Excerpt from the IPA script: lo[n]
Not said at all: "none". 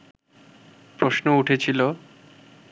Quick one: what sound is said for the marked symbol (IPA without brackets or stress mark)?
none